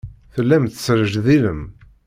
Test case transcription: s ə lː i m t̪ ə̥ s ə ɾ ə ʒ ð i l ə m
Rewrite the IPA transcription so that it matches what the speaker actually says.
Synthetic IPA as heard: θ ə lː æ m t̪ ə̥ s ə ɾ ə ʒ ð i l ə m

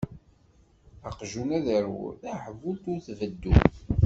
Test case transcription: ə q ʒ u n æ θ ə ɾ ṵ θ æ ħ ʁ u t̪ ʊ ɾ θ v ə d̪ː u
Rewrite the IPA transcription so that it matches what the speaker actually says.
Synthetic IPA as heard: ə q ʒ u n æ ð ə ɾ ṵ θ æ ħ v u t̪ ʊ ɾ θ v ə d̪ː u

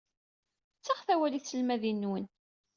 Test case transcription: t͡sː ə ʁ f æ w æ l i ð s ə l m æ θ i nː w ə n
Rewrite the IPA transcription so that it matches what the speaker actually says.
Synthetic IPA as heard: t͡sː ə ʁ θ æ w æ l i θ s ə l m æ ð i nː w ə n

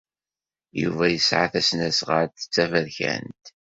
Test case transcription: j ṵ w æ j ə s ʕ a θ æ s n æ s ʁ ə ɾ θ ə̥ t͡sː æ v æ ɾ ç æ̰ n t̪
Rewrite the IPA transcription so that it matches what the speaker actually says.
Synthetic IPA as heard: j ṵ v æ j ə s ʕ a θ æ s n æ s ʁ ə ɾ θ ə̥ t͡sː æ v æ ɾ ç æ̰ n t̪

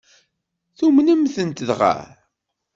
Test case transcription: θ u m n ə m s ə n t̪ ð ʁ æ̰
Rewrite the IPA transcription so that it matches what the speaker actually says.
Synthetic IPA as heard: θ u m n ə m θ ə n t̪ ð ʁ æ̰

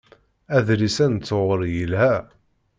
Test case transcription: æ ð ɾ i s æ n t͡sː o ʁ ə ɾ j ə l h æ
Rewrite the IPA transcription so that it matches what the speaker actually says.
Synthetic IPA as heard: æ ð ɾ i s æ n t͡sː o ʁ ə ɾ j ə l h æ

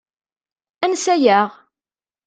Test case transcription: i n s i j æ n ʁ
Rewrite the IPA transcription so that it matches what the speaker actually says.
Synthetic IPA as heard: æ n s æ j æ ʁ

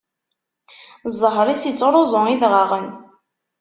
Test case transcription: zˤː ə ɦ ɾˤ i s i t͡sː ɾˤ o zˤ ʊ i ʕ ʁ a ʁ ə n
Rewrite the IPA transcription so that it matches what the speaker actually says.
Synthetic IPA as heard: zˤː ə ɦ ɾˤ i s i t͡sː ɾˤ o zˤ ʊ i ð ʁ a ʁ ə n

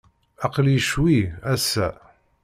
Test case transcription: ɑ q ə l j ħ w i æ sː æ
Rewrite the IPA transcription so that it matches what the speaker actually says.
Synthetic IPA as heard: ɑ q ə l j ʃ w i æ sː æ

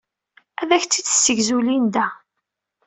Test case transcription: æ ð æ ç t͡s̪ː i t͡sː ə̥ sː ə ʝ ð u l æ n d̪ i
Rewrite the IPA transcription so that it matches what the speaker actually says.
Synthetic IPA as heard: æ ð æ ç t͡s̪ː i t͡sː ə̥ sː ə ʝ z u l i n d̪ æ

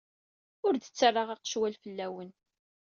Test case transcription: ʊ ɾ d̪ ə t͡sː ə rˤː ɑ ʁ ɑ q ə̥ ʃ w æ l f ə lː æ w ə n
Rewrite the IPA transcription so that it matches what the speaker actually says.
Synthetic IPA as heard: ʊ ɾ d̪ ə t͡sː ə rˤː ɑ ʁ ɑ q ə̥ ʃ w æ l f ə lː æ w ə n

